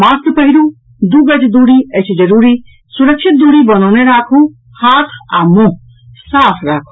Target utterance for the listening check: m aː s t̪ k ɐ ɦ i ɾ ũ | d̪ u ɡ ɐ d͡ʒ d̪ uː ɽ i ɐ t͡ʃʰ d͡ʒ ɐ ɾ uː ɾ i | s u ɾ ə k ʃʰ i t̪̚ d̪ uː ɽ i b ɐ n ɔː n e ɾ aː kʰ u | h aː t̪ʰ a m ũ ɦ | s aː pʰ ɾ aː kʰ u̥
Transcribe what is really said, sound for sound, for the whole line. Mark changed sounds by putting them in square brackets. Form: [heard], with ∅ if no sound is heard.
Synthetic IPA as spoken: m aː s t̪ [p] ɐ ɦ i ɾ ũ | d̪ u ɡ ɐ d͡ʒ d̪ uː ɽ i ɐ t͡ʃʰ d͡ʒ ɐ ɾ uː ɾ i | s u ɾ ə k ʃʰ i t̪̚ d̪ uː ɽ i b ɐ n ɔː n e ɾ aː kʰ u | h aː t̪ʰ a m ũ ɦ | s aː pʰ ɾ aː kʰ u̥

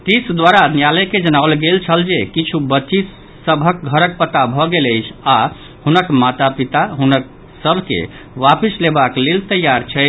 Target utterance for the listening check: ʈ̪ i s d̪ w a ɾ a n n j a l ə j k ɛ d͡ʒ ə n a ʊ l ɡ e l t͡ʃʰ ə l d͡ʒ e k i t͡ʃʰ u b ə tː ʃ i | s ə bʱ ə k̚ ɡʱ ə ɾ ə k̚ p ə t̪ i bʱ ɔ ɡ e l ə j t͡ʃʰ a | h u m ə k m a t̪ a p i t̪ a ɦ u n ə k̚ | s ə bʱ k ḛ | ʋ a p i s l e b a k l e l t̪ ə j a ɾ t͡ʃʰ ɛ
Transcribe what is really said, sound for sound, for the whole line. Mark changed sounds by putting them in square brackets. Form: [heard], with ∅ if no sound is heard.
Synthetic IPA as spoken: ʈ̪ i s d̪ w a ɾ a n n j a l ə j k [e] d͡ʒ ə n a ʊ l ɡ e l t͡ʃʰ ə l d͡ʒ e k i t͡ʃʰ u b ə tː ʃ i | s ə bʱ ə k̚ ɡʱ ə ɾ ə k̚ p ə t̪ [a] bʱ ɔ ɡ e l ə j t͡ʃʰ a | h u [n] ə k m a t̪ a p i t̪ a ɦ u n ə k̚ | s ə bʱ k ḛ | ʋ a p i s l e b a k l e l t̪ ə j a ɾ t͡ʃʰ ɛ

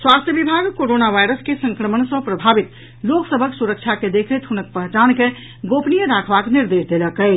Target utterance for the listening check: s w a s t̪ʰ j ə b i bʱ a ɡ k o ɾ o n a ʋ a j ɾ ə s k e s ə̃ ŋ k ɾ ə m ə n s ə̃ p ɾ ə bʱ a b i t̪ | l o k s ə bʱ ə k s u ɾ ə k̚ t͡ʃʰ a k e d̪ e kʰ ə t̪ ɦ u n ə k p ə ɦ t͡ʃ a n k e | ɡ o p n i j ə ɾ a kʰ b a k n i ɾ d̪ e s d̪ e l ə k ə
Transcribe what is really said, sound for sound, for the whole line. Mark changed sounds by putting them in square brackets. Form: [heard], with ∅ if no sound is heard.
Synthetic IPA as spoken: s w a s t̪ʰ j ə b i bʱ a ɡ k o ɾ o n a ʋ a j ɾ ə s k e s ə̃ ŋ k ɾ ə m ə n s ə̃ p ɾ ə bʱ a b i t̪ | l o k s ə bʱ ə k s u ɾ ə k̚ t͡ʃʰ a k e d̪ e kʰ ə t̪ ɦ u n ə k p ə ɦ t͡ʃ a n k e | ɡ o p n i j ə ɾ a kʰ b a k n i ɾ d̪ e s d̪ e l ə k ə

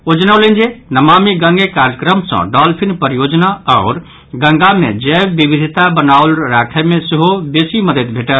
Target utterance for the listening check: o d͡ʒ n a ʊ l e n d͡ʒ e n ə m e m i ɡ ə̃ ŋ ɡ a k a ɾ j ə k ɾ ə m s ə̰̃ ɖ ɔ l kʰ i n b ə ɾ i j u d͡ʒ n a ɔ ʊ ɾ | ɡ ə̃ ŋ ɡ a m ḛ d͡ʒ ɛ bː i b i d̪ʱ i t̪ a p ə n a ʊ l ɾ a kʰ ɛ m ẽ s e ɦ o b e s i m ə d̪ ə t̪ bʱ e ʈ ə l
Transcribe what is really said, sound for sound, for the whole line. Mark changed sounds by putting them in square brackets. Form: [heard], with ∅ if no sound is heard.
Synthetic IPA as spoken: o d͡ʒ n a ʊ l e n d͡ʒ e n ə m [a] m i ɡ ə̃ ŋ ɡ [e] k a ɾ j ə k ɾ ə m s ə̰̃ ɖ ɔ l [pʰ] i n [p] ə ɾ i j [o] d͡ʒ n a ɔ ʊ ɾ | ɡ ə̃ ŋ ɡ a m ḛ d͡ʒ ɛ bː i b i d̪ʱ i t̪ a [b] ə n a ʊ l ɾ a kʰ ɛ m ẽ s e ɦ o b e s i m ə d̪ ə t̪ bʱ e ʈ ə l

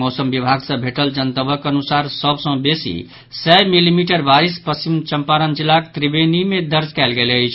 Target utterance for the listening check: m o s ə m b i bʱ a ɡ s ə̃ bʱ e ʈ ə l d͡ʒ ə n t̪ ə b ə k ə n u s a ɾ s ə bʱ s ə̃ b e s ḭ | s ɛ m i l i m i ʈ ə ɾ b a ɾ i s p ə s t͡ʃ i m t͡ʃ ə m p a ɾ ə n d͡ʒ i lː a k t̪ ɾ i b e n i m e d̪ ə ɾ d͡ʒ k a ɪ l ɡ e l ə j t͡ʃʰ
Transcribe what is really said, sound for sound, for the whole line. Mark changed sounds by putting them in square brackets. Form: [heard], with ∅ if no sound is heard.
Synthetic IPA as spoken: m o s ə m b i bʱ a ɡ s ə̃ bʱ e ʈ ə l d͡ʒ ə n t̪ ə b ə k ə n u s a ɾ s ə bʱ s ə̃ b e s ḭ | s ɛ m i l i m i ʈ ə ɾ b a ɾ i s p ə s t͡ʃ i m t͡ʃ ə m p a ɾ ə n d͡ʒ i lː a k t̪ ɾ i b e n i m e d̪ ə ɾ d͡ʒ k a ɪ l ɡ e l ə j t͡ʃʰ

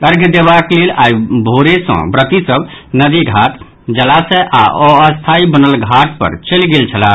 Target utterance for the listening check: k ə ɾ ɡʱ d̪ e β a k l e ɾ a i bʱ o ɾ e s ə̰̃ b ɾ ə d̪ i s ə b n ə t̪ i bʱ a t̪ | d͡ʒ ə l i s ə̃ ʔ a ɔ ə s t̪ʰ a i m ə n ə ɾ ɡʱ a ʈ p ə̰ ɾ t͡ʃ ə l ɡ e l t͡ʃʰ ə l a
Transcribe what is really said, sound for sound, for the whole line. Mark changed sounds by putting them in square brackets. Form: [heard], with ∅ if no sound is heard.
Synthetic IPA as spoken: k ə ɾ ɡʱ d̪ e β a k l e [l] a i bʱ o ɾ e s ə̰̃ b ɾ ə [t̪] i s ə b n ə [d̪] i [ɡʱ] a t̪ | d͡ʒ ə l [a] s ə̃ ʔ a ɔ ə s t̪ʰ a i [b] ə n ə [l] ɡʱ a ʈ p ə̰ ɾ t͡ʃ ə l ɡ e l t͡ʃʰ ə l a

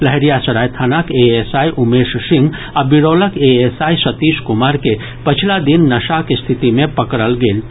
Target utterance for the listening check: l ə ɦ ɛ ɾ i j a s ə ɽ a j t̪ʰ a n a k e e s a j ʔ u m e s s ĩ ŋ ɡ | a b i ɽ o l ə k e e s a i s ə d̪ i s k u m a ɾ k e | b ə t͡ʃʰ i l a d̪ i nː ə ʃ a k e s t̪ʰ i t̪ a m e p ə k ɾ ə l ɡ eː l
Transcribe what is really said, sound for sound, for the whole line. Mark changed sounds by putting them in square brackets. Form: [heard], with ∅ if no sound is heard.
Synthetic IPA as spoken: l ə ɦ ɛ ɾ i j a s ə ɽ a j t̪ʰ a n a k e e s a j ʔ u m e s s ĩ ŋ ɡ | a b i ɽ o l ə k e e s a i s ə [t̪] i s k u m a ɾ k e | [p] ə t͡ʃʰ i l a d̪ i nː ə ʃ a k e s t̪ʰ i t̪ [i] m e p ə k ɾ ə l ɡ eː l

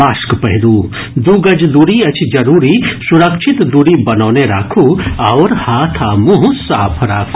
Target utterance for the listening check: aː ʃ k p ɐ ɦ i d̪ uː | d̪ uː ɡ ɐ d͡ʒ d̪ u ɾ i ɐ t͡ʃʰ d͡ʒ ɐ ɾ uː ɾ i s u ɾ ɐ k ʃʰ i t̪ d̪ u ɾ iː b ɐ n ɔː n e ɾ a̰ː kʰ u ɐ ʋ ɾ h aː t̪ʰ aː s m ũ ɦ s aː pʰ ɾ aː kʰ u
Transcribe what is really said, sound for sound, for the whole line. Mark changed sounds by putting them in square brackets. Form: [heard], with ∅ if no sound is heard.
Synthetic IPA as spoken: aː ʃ k p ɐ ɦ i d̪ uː | d̪ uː ɡ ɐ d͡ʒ d̪ u ɾ i ɐ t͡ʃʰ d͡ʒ ɐ ɾ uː ɾ i s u ɾ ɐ k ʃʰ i t̪ d̪ u ɾ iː b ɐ n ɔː n e ɾ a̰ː kʰ u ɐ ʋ ɾ h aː t̪ʰ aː [∅] m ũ ɦ s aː pʰ ɾ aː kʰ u

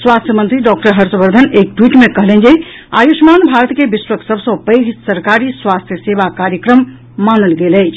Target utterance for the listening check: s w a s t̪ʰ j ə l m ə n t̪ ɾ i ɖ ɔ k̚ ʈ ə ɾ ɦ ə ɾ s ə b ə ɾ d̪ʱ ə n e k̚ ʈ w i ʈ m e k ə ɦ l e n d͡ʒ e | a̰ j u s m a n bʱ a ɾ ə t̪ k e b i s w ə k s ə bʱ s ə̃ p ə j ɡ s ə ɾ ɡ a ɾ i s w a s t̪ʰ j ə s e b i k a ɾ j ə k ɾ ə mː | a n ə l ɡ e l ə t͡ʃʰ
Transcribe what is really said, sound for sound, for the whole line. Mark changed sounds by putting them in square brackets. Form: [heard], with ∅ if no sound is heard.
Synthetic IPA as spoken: s w a s t̪ʰ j ə [∅] m ə n t̪ ɾ i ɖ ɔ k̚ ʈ ə ɾ ɦ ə ɾ s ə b ə ɾ d̪ʱ ə n e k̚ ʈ w i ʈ m e k ə ɦ l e n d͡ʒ e | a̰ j u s m a n bʱ a ɾ ə t̪ k e b i s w ə k s ə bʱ s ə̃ p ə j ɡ s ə ɾ [k] a ɾ i s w a s t̪ʰ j ə s e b [a] k a ɾ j ə k ɾ ə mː | a n ə l ɡ e l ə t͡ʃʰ

